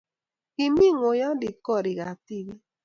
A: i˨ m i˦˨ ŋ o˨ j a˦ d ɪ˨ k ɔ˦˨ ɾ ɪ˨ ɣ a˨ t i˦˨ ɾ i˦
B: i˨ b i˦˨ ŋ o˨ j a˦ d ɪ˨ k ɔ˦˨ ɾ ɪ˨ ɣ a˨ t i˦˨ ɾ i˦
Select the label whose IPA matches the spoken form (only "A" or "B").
A